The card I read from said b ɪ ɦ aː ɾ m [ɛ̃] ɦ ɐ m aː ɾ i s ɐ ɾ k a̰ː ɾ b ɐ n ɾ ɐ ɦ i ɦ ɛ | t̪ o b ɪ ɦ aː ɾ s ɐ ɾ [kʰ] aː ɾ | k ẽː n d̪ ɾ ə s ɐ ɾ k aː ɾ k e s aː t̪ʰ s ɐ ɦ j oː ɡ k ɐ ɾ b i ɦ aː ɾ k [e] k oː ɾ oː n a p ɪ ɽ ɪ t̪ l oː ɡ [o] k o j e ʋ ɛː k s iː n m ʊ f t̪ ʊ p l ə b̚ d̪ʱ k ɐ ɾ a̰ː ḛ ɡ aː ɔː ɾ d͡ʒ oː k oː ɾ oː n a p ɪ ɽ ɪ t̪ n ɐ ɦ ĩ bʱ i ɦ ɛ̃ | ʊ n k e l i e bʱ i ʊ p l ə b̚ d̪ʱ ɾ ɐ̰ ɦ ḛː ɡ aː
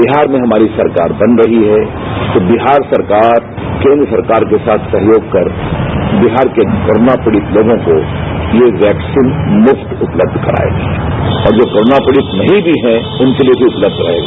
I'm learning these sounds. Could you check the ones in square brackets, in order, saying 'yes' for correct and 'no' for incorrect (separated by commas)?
no, no, yes, no